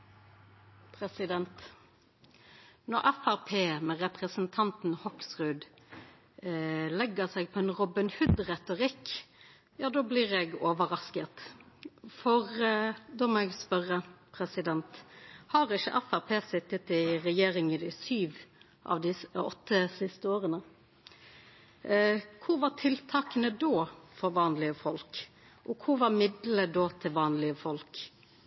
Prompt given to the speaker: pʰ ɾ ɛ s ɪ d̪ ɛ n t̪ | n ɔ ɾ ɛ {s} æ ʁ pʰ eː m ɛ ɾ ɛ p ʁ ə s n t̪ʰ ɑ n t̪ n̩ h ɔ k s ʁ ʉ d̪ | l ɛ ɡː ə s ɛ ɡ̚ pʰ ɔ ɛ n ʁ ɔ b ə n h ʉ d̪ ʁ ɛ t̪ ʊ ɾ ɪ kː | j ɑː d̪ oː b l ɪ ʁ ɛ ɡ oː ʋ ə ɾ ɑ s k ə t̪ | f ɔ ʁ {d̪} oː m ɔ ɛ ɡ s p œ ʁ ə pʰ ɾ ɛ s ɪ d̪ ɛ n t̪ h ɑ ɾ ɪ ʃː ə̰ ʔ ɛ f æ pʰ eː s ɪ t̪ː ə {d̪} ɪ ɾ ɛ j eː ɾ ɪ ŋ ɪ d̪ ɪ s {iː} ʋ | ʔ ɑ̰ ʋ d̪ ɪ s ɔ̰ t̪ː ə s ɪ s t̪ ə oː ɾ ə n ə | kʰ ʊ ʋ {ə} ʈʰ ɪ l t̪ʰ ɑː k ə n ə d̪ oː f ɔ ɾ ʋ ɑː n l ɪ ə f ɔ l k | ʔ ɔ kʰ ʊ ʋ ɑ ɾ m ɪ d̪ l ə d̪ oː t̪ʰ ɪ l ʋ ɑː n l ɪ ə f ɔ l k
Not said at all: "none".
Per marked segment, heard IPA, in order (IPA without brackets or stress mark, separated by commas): f, d̪, t̪, yː, ɑ